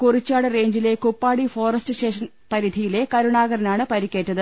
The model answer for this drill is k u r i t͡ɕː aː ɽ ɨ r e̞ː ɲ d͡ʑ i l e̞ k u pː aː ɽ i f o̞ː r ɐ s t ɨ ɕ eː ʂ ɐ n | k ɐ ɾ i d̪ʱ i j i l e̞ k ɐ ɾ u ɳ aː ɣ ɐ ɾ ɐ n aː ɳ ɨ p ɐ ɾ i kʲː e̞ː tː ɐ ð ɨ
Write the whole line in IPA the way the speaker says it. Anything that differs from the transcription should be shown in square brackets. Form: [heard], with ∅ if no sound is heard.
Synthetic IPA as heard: k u r i t͡ɕː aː ɽ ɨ r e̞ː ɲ d͡ʑ i l e̞ k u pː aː ɽ i f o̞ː r ɐ s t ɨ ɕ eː ʂ ɐ n | [p] ɐ ɾ i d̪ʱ i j i l e̞ k ɐ ɾ u ɳ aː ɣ ɐ ɾ ɐ n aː ɳ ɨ p ɐ ɾ i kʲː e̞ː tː ɐ ð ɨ

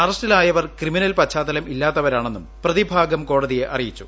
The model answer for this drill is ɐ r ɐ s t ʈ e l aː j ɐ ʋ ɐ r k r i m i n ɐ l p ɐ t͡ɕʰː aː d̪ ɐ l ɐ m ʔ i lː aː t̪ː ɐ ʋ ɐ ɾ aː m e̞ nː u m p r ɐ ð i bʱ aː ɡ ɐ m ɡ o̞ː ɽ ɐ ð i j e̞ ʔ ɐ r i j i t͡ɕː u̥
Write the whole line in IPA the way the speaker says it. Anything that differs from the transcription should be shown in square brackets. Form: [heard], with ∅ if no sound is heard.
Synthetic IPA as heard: ɐ r ɐ s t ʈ [i] l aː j ɐ ʋ ɐ r k r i m i n ɐ l p ɐ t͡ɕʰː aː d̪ ɐ l ɐ m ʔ i lː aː t̪ː ɐ ʋ ɐ ɾ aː [ɳ] e̞ nː u m p r ɐ ð i bʱ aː ɡ ɐ m [k] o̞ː ɽ ɐ ð i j e̞ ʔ ɐ r i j i t͡ɕː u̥

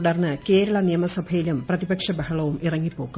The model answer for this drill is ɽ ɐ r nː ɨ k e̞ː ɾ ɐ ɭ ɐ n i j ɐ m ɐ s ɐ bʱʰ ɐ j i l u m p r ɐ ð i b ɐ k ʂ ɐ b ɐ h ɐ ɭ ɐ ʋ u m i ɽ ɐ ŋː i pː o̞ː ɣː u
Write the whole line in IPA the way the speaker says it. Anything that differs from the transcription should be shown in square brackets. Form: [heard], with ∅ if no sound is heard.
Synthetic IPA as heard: ɽ ɐ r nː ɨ k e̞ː ɾ ɐ ɭ ɐ n i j ɐ m ɐ s ɐ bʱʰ ɐ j i l u m p r ɐ ð i b ɐ k ʂ ɐ b ɐ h ɐ ɭ ɐ ʋ u m i [r] ɐ ŋː i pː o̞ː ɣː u

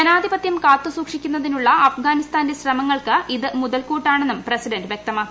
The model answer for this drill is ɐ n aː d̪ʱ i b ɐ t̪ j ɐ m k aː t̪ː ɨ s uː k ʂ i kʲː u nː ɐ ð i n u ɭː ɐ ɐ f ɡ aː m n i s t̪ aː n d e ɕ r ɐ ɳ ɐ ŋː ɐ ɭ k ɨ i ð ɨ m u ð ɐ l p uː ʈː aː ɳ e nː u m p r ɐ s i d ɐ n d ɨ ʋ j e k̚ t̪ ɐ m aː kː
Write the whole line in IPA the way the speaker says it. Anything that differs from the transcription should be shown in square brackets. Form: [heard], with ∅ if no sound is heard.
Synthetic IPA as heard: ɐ n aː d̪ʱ i b ɐ t̪ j ɐ m k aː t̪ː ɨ s uː k ʂ i kʲː u nː ɐ ð i n u ɭː ɐ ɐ f ɡ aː [∅] n i s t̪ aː n d e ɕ r ɐ [m] ɐ ŋː ɐ ɭ k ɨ i ð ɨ m u ð ɐ l [k] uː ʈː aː ɳ e nː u m p r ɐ s i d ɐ n d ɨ ʋ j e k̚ t̪ ɐ m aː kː

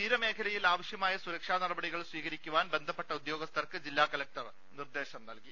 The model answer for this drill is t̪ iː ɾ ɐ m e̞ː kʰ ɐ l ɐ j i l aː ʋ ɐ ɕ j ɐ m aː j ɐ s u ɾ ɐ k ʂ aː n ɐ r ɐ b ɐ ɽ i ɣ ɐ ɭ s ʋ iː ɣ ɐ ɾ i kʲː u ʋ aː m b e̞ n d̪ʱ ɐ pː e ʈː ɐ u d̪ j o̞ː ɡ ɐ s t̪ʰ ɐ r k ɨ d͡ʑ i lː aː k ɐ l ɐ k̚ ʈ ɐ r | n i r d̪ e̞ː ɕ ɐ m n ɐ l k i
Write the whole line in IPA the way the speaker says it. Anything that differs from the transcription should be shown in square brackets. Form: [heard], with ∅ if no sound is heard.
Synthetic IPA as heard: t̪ iː ɾ ɐ m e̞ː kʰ ɐ l ɐ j i l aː ʋ ɐ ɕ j ɐ m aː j ɐ s u ɾ ɐ k ʂ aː n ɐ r ɐ b ɐ ɽ i ɣ ɐ ɭ s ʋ iː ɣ ɐ ɾ i kʲː u ʋ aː [n] b e̞ n d̪ʱ ɐ pː e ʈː ɐ u d̪ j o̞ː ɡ ɐ s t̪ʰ ɐ r k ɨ d͡ʑ i lː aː k ɐ l ɐ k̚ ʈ ɐ r | n i r d̪ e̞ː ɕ ɐ m n ɐ l k i

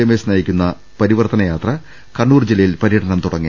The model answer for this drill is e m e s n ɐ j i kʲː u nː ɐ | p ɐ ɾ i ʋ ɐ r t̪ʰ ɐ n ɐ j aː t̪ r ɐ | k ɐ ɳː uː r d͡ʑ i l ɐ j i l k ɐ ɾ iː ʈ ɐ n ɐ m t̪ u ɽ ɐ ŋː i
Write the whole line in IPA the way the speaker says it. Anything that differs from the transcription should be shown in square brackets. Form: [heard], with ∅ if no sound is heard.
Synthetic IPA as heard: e m e s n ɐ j i kʲː u nː ɐ | p ɐ ɾ i ʋ ɐ r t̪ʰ ɐ n ɐ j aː t̪ r ɐ | k ɐ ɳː uː r d͡ʑ i l ɐ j i l [p] ɐ ɾ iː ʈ ɐ n ɐ m t̪ u ɽ ɐ ŋː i

